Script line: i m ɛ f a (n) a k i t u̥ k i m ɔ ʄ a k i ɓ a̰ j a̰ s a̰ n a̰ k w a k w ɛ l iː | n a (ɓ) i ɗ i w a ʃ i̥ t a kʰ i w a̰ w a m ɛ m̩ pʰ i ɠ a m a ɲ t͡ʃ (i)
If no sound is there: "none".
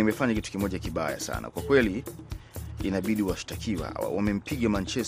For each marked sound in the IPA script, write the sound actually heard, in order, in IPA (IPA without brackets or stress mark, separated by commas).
ɲ, ɓ, ɛ